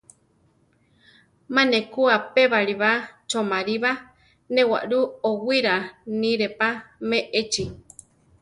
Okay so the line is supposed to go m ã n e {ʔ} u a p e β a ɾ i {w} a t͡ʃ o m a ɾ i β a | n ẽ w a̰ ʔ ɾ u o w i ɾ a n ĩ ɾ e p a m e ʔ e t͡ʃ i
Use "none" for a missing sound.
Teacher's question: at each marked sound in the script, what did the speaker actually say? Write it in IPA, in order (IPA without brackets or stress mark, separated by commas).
k, β